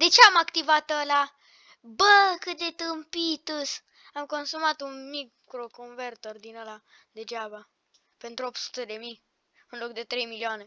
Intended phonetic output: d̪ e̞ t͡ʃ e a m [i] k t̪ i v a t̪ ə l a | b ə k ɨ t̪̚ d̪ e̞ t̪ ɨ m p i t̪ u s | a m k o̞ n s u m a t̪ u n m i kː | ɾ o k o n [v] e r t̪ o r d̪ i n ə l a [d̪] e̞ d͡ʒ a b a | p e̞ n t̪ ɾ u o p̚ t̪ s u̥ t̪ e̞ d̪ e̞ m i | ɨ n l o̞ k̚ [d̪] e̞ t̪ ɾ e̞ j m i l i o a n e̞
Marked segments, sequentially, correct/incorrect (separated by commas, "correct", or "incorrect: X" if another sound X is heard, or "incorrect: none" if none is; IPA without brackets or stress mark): incorrect: a, correct, correct, correct